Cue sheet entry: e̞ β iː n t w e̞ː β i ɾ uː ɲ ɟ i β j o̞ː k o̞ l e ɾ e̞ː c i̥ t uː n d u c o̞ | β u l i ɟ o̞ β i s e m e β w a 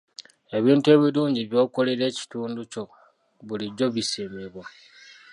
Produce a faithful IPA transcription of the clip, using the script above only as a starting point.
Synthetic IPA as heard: e̞ β iː n t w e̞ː β i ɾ uː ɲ ɟ i β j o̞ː k o̞ l e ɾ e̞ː c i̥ t uː n d u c o̞ | β u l i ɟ o̞ β i s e m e β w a

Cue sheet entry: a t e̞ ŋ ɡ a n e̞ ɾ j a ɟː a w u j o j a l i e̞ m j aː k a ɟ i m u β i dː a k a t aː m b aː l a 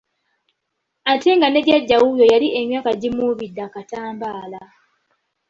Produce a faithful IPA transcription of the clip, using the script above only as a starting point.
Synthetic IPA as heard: a t e̞ ŋ ɡ a n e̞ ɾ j a ɟː a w u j o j a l i e̞ m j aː k a ɟ i m u β i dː a k a t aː m b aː l a

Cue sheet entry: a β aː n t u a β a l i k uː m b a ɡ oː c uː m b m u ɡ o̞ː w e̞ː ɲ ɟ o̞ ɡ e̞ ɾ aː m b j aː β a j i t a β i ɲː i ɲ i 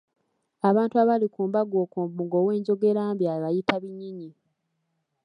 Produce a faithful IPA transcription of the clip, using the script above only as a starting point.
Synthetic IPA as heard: a β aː n t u a β a l i k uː m b a ɡ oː k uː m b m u ɡ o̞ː w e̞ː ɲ ɟ o̞ ɡ e̞ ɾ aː m b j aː β a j i t a β i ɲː i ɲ i

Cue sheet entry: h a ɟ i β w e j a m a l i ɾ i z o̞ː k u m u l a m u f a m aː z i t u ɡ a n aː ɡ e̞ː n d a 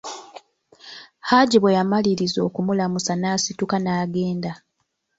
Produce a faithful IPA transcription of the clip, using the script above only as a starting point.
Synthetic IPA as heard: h a ɟ i β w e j a m a l i ɾ i z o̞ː k u m u l a m u s a n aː s i t u k a n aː ɡ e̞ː n d a

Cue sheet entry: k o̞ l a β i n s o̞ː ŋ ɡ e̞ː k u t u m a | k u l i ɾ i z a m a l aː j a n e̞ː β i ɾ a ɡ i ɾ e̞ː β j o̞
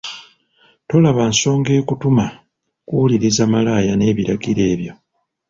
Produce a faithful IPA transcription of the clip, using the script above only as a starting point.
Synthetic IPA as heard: t o̞ l a β a n s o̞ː ŋ ɡ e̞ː k u t u m a | k u l i ɾ i z a m a l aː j a n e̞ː β i ɾ a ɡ i ɾ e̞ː β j o̞

